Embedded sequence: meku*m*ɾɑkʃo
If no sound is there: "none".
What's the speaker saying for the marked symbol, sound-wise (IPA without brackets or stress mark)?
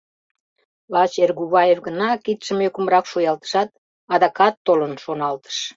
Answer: m